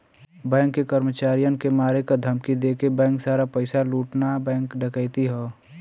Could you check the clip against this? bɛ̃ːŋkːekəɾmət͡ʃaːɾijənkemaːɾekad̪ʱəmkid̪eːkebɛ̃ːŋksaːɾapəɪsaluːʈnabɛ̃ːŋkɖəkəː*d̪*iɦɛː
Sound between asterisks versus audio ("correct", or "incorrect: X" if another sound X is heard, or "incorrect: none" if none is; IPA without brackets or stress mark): incorrect: t̪